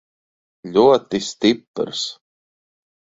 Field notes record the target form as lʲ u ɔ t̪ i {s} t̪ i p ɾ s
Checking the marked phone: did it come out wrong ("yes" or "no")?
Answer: no